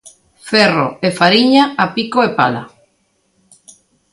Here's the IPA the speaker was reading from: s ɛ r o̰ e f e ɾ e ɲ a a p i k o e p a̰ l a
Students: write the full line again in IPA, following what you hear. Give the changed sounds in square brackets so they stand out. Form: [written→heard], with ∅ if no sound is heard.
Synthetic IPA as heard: [s→f] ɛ r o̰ e f [e→a] ɾ [e→i] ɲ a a p i k o e p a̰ l a